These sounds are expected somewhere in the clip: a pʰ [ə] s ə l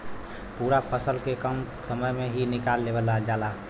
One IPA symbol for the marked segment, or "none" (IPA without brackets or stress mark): ə